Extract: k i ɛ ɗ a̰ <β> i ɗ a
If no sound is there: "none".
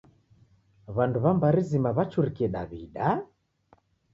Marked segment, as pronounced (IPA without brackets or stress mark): β